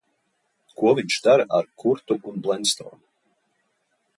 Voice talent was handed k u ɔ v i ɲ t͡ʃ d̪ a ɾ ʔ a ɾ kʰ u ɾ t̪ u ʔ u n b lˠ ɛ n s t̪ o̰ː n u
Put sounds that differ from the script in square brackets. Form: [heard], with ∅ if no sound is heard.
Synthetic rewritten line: k u ɔ v i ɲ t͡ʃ d̪ a ɾ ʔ a ɾ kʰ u ɾ t̪ u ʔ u n b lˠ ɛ n s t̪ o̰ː n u